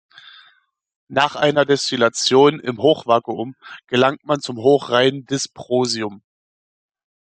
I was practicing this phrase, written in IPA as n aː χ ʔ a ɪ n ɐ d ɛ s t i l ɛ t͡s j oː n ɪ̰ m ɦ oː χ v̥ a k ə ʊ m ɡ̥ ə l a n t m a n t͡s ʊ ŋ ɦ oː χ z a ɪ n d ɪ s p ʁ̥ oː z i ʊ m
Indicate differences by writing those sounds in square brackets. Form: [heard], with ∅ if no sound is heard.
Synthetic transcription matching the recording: n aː χ ʔ a ɪ n ɐ d ɛ s t i l [a] t͡s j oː n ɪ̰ m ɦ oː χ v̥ a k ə ʊ m ɡ̥ ə l a [ŋ] t m a n t͡s ʊ [m] ɦ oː χ [ʁ] a ɪ n d ɪ s p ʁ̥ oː z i ʊ m